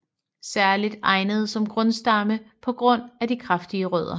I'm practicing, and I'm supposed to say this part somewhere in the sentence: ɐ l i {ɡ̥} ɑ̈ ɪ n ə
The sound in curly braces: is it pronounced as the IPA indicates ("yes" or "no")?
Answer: no